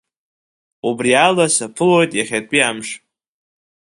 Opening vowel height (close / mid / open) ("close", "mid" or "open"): close